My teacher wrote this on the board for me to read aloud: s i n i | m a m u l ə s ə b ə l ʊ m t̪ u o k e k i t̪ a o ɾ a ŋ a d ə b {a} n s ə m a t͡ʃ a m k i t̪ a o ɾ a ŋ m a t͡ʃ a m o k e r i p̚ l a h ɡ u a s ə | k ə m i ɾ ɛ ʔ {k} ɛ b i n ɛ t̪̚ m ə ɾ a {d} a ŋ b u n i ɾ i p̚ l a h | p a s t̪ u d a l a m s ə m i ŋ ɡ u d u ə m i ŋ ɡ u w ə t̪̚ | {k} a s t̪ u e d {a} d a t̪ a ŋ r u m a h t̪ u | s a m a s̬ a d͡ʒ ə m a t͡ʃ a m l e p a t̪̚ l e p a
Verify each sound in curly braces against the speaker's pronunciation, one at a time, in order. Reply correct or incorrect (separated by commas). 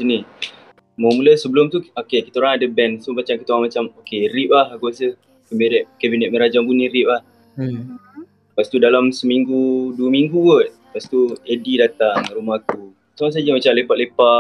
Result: incorrect, correct, incorrect, incorrect, incorrect